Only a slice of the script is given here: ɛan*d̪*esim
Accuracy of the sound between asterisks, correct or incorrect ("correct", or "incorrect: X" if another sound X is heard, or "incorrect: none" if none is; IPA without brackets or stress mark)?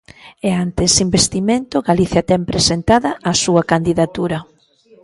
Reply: incorrect: t̪